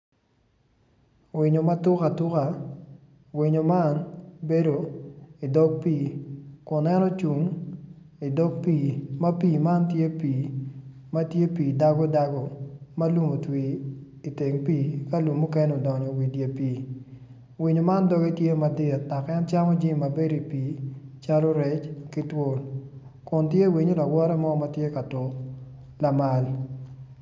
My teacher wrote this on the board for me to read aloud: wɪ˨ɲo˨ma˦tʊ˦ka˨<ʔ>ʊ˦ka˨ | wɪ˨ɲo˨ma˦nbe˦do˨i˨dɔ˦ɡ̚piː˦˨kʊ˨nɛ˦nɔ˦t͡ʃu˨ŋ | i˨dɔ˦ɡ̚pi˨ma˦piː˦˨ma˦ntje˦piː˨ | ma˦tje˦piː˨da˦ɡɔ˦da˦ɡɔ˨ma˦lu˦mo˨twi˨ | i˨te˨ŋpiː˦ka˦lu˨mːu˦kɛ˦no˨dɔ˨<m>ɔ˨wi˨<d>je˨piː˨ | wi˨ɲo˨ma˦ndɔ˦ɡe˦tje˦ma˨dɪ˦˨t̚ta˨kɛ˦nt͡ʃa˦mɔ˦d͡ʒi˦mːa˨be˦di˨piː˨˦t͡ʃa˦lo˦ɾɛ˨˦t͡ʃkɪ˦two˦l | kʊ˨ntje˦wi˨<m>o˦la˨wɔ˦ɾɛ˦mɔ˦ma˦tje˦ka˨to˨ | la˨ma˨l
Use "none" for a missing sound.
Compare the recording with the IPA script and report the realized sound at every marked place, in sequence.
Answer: t, ɲ, d, ɲ

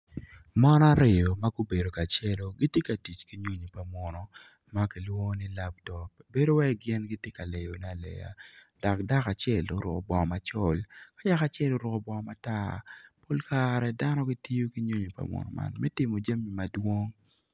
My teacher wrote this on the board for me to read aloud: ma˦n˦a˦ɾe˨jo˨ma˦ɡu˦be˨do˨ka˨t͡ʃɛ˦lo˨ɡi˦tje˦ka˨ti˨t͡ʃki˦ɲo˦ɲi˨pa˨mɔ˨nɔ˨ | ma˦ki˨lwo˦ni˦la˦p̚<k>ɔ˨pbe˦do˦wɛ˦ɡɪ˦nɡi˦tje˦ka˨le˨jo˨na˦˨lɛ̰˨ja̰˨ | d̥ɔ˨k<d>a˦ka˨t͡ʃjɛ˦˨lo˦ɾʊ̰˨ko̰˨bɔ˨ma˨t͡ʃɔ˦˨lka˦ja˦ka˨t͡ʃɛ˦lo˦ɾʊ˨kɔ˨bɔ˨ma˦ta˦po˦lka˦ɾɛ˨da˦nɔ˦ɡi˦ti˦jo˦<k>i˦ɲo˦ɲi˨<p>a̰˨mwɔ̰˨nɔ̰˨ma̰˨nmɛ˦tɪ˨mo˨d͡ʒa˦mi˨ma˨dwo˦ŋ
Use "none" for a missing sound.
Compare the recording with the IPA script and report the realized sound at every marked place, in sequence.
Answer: t, d, k, p

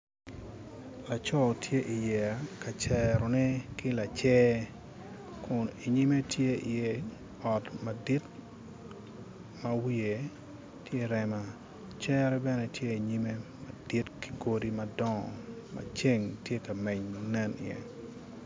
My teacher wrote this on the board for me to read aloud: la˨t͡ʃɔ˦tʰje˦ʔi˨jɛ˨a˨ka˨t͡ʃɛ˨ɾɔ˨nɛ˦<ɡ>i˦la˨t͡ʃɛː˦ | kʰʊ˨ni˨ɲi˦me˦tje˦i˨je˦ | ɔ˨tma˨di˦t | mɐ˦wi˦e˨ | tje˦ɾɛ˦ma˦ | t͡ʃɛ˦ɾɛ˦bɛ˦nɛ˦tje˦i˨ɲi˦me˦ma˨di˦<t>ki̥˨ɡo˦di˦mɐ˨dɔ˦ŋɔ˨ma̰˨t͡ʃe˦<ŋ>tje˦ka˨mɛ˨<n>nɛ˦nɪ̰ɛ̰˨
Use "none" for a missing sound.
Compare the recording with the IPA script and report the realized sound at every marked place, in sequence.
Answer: k, t, ŋ, ɲ

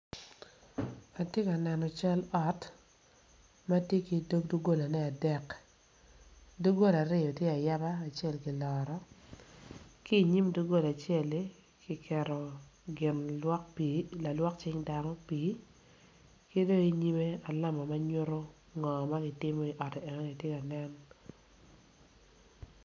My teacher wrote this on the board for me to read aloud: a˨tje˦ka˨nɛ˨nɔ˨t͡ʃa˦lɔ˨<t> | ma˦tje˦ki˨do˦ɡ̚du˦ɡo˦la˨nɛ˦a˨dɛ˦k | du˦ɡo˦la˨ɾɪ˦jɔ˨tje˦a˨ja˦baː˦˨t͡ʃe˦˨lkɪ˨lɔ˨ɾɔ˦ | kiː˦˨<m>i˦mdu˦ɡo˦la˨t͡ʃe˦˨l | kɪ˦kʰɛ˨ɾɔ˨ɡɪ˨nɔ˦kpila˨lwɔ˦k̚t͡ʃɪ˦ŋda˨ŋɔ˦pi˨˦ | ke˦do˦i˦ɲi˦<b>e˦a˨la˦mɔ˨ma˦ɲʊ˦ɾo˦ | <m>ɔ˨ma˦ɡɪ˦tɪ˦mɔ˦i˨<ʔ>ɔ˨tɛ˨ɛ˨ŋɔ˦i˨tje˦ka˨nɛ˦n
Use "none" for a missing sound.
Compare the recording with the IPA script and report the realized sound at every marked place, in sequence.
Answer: t, ɲ, m, ŋ, ʔ

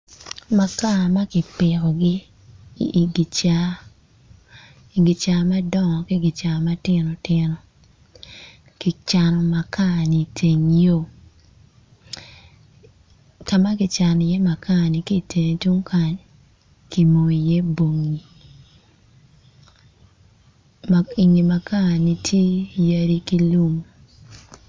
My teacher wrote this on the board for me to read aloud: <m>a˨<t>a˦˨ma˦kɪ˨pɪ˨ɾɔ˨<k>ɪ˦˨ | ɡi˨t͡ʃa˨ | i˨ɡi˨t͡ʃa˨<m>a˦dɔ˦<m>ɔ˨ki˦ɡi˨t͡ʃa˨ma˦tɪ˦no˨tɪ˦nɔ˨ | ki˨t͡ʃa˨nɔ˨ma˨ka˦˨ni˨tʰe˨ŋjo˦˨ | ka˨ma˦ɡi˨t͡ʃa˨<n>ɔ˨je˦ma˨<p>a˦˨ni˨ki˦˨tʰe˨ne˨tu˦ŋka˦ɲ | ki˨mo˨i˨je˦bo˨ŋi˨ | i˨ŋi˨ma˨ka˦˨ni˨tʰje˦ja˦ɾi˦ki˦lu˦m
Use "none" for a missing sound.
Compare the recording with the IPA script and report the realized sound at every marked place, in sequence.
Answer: m, k, ɡ, m, ŋ, n, k

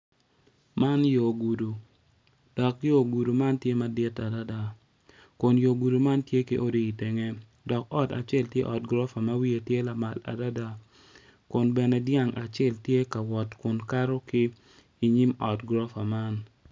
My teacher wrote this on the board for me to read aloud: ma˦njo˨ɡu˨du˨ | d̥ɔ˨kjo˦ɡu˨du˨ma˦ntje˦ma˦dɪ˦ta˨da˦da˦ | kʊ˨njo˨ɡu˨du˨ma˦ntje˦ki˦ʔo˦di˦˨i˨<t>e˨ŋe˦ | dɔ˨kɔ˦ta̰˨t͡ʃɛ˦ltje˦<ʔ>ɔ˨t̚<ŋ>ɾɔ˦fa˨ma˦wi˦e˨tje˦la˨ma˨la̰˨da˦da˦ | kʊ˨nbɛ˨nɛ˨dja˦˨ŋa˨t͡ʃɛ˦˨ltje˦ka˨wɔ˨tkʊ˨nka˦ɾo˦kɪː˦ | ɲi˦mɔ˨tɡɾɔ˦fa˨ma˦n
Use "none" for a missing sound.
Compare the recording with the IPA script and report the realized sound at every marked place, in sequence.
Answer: t, ʔ, ɡ

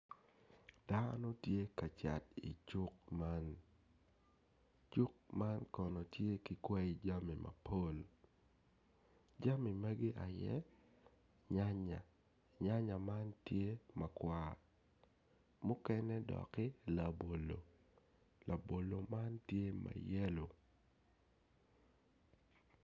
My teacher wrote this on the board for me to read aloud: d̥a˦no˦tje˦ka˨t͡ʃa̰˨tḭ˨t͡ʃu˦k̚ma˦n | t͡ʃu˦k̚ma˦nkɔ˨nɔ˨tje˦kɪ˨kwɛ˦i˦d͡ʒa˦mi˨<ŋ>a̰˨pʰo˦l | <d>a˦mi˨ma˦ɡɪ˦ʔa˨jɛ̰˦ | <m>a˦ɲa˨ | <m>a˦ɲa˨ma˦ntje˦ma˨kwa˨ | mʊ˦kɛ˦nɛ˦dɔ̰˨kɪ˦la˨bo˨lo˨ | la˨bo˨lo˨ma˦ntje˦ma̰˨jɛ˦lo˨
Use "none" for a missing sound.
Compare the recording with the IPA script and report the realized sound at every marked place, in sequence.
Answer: m, d͡ʒ, ɲ, ɲ

